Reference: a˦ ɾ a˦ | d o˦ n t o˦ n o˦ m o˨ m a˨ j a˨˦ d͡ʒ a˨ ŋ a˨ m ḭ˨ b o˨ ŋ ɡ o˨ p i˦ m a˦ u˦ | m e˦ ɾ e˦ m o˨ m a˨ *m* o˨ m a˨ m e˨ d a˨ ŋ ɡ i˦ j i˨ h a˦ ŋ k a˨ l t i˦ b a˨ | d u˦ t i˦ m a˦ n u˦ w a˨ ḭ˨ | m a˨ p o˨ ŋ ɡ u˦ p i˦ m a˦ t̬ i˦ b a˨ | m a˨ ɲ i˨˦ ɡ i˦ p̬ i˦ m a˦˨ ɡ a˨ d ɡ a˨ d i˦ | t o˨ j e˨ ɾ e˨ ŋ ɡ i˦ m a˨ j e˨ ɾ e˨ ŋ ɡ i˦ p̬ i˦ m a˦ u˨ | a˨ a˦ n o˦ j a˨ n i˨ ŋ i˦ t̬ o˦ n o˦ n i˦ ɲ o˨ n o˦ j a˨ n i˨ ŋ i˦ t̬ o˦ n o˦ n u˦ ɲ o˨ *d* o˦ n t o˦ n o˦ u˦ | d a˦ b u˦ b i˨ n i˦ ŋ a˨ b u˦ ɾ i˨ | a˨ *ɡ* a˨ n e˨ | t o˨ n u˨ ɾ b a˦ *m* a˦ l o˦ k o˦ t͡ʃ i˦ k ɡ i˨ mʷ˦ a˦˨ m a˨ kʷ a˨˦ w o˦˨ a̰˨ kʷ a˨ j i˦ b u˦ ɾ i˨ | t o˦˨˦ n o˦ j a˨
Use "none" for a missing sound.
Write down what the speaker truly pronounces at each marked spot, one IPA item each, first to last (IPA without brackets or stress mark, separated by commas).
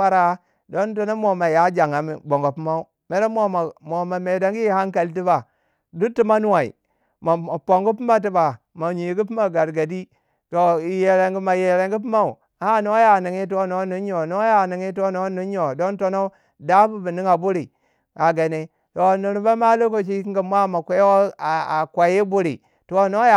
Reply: m, d, ɡ, m